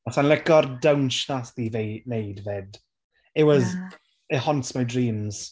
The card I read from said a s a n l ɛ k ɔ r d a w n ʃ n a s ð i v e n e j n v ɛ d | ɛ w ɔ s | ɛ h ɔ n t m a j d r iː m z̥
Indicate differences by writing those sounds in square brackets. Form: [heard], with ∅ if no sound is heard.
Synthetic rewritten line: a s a n l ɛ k ɔ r d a w n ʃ n a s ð i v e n e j [d] v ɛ d | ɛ w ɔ [z] | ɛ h ɔ n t m a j d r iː m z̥